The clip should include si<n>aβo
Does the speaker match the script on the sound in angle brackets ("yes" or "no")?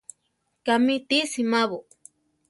no